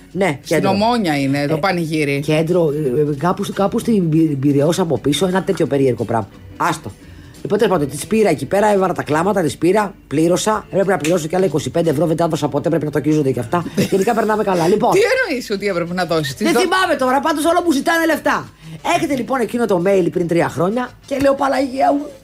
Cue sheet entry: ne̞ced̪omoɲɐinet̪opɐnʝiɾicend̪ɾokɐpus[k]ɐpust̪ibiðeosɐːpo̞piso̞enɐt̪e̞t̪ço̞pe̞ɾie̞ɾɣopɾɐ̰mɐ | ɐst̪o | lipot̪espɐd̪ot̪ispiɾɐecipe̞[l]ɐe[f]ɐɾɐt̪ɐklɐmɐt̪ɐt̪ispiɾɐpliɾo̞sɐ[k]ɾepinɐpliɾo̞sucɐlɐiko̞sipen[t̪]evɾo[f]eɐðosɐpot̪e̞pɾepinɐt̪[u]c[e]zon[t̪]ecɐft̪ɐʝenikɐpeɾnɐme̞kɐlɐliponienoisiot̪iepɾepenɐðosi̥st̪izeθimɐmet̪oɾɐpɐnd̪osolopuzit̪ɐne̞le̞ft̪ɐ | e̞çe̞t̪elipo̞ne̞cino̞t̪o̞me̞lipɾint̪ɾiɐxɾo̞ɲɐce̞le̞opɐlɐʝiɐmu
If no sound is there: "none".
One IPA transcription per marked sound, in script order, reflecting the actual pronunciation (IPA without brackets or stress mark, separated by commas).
k, ɾ, v, p, d̪, v, o, i, d̪